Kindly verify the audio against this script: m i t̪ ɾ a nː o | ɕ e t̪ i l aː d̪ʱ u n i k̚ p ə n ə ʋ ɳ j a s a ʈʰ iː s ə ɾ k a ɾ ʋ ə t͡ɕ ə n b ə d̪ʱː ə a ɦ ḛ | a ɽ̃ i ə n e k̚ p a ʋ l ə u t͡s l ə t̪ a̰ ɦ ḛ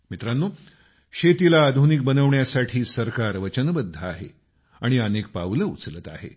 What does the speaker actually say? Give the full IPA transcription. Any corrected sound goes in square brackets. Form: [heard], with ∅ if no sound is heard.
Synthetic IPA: m i t̪ ɾ a nː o | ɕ e t̪ i l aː d̪ʱ u n i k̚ [b] ə n ə ʋ ɳ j a s a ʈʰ iː s ə ɾ k a ɾ ʋ ə t͡ɕ ə n b ə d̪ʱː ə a ɦ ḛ | a ɽ̃ i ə n e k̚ p a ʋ l ə u t͡s l ə t̪ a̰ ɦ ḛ